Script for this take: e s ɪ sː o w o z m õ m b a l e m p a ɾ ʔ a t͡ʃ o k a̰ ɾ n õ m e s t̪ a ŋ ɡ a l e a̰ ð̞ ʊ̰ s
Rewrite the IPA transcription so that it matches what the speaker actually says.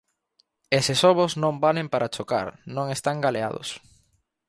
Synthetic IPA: e s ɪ s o β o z n õ m b a l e m p a ɾ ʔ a t͡ʃ o k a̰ ɾ n õ ŋ e s t̪ a ŋ ɡ a l e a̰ ð̞ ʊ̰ s